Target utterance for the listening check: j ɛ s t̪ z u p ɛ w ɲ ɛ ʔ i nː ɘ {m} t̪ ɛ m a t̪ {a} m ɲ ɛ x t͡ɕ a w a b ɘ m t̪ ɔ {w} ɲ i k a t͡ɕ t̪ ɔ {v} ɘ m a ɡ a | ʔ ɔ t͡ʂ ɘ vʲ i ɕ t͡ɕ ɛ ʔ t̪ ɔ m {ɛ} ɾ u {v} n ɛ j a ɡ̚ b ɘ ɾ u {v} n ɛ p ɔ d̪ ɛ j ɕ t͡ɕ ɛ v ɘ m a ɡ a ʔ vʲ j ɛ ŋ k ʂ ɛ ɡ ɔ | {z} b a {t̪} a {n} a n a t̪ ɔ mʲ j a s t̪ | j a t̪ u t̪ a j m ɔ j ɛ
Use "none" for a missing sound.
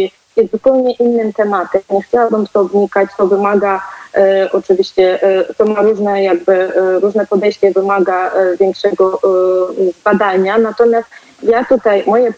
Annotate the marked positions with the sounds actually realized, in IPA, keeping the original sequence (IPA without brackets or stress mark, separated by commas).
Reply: m, ɛ, v, v, a, ʐ, ʐ, z, d̪, ɲ